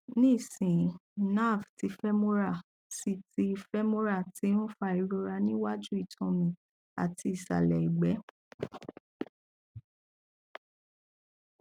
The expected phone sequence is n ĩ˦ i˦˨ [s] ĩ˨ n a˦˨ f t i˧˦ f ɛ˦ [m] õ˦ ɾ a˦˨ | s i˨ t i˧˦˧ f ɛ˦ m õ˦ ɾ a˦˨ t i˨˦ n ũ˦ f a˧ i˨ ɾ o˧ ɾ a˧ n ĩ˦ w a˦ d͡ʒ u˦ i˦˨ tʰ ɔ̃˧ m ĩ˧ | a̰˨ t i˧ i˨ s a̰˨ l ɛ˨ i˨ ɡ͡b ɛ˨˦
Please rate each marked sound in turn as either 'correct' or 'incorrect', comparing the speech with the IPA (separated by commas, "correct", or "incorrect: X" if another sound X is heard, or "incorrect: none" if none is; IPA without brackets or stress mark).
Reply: correct, correct